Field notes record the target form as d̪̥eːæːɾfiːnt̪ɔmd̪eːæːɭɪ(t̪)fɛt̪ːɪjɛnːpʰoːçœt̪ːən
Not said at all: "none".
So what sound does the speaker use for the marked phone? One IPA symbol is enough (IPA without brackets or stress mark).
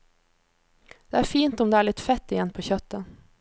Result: t̪